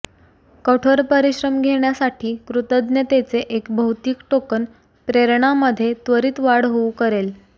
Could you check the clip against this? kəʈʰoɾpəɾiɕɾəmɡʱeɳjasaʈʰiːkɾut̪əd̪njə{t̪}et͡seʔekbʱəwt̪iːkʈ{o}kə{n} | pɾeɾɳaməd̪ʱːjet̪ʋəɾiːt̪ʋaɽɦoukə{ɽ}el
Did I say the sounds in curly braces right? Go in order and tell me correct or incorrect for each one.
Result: correct, correct, correct, incorrect: ɾ

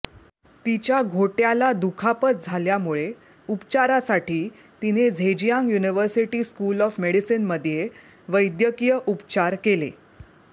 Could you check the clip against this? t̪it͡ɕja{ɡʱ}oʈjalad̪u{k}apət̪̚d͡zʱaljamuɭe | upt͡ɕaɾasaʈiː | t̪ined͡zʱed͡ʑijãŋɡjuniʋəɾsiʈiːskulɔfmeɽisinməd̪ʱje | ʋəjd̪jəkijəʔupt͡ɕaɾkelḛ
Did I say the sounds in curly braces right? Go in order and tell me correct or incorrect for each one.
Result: correct, incorrect: kʰ

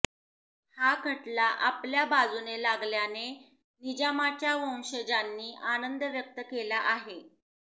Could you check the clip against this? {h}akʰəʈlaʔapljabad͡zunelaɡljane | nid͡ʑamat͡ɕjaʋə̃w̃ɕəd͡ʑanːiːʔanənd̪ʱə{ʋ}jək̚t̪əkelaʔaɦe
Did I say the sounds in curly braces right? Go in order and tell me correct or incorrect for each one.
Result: correct, correct

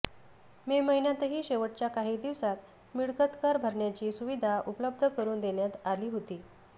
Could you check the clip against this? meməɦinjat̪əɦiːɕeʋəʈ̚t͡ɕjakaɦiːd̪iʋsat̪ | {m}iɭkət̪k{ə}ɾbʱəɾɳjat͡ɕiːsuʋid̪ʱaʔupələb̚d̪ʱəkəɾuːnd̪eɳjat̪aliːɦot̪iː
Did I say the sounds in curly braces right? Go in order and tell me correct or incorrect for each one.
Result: correct, incorrect: a

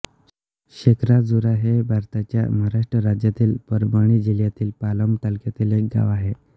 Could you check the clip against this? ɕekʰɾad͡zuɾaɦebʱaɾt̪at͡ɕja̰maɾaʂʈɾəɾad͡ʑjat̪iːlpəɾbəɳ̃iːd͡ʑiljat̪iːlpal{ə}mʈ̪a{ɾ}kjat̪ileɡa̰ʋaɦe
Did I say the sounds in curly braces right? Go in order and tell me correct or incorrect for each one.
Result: correct, incorrect: l

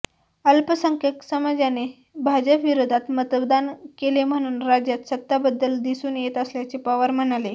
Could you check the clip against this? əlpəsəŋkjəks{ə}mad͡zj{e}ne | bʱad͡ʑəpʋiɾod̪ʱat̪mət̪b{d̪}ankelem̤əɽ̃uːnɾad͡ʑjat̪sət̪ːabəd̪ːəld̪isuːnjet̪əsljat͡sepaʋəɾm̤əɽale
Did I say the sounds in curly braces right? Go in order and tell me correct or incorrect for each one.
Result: correct, incorrect: a, correct

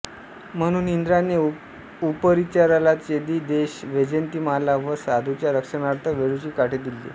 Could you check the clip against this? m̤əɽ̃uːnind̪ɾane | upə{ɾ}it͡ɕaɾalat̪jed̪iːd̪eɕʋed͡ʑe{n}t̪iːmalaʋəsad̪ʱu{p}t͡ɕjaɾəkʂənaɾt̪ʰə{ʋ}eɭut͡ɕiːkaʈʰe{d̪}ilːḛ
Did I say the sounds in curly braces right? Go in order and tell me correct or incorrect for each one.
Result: correct, correct, incorrect: none, correct, correct

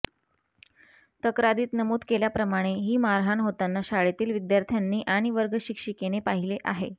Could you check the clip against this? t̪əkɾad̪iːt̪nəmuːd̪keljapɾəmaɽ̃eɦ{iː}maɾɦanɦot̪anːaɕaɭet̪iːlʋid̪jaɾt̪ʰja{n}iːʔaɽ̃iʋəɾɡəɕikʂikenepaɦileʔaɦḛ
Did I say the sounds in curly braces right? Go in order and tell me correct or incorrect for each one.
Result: correct, incorrect: nː

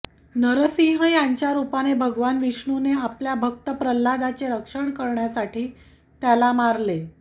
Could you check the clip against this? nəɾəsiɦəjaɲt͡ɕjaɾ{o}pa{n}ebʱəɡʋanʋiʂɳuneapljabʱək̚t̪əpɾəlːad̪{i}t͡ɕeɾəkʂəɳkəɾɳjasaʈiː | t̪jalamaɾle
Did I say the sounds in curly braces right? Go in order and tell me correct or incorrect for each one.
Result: incorrect: u, correct, incorrect: a

